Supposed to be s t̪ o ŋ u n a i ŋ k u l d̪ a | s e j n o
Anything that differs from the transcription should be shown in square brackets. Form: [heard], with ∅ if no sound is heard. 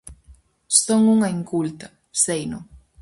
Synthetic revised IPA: s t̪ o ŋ u [ŋ] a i ŋ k u l [t̪] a | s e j n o